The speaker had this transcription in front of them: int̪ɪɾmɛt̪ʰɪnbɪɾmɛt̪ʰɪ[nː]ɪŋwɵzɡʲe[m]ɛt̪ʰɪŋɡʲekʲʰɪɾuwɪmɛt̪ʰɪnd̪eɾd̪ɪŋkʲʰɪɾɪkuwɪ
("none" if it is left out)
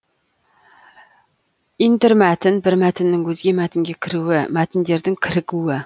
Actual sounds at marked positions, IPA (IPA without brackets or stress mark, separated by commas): nː, m